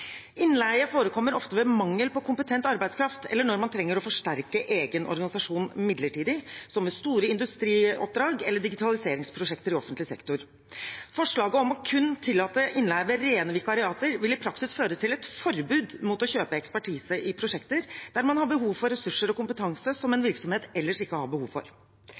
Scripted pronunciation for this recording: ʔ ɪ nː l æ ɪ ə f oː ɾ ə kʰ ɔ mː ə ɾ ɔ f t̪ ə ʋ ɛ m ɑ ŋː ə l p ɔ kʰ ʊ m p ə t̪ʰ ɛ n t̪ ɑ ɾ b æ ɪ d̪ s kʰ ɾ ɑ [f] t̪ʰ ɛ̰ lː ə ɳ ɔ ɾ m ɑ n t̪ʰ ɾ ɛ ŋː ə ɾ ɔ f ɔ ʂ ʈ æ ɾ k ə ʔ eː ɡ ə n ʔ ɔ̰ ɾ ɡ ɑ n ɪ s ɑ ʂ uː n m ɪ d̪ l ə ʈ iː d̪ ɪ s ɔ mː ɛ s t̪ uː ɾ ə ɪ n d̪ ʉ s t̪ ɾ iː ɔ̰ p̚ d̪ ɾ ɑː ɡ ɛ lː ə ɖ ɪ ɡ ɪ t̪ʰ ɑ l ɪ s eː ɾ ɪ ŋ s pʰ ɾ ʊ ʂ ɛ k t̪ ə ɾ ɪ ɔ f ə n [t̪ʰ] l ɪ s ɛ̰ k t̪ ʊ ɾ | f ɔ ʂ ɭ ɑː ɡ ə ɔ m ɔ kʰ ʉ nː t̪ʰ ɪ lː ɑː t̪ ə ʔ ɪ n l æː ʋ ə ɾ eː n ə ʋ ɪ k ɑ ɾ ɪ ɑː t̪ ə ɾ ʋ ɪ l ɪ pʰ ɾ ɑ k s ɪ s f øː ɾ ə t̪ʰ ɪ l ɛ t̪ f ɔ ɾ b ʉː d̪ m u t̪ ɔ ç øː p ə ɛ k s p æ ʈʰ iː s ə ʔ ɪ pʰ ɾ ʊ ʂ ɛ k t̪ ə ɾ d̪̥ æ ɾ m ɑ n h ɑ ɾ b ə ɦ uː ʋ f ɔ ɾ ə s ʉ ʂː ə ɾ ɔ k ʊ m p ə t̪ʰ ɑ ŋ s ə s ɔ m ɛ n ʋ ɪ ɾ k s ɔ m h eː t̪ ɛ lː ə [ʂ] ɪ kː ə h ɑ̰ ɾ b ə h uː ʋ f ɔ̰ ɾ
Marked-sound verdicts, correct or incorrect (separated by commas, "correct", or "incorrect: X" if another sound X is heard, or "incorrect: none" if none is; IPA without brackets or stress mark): correct, incorrect: t̪, correct